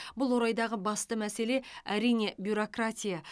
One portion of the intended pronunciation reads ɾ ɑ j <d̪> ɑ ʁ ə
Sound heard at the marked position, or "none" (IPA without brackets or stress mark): d̪